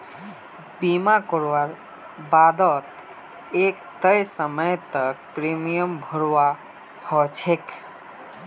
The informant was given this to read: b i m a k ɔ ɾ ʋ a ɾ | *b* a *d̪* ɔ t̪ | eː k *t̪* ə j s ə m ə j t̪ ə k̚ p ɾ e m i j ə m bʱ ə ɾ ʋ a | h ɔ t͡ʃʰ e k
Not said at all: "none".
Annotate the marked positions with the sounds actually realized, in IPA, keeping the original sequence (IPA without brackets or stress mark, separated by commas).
b, d̪, t̪